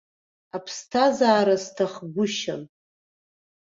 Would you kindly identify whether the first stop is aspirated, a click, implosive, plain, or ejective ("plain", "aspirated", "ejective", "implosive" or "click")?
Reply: aspirated